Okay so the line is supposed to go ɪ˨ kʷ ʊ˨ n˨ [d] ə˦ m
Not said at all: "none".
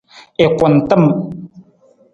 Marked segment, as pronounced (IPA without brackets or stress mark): t